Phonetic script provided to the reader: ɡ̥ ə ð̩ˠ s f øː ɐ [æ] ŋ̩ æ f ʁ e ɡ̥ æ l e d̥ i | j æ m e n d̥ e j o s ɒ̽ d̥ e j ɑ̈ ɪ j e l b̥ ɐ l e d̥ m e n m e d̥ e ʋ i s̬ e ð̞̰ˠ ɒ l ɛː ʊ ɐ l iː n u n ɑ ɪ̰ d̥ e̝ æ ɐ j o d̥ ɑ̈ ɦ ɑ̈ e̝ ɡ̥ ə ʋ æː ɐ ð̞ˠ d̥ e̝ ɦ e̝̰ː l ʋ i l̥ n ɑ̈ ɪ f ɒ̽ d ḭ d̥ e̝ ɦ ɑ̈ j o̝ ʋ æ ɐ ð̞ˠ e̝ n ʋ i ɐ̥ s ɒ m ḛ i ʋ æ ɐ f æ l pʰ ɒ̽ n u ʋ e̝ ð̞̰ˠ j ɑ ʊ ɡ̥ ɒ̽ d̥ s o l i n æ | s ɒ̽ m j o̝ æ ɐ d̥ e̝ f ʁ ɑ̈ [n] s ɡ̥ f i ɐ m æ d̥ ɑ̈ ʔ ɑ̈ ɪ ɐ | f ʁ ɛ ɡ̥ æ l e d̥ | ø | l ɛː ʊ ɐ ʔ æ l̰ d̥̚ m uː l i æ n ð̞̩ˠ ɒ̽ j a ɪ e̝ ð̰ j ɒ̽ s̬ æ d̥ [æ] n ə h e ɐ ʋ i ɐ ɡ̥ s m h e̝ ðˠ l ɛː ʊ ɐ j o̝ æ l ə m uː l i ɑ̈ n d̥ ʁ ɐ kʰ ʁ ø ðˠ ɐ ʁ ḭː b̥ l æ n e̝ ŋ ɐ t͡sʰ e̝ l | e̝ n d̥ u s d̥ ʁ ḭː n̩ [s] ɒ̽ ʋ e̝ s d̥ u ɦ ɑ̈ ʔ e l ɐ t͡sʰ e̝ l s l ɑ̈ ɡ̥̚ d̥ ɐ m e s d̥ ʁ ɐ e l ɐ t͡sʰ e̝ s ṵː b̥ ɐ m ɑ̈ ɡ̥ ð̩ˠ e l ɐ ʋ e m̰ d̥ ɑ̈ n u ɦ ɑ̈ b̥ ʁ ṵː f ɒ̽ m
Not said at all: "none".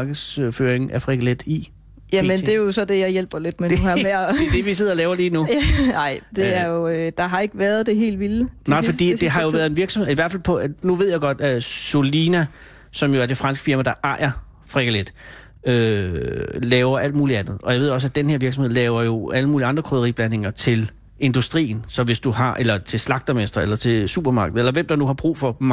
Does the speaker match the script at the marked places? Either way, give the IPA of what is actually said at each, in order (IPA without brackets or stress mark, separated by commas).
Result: e, n, e, s